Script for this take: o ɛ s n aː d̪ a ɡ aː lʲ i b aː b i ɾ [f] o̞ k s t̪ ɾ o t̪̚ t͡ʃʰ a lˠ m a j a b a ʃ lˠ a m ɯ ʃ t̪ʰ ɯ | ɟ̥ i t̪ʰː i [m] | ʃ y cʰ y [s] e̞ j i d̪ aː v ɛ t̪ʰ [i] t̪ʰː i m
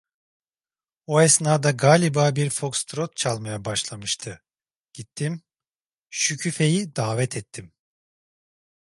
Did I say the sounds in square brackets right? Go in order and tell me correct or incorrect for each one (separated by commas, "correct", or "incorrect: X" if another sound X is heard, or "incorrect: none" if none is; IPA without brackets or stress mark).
correct, correct, incorrect: f, incorrect: ɛ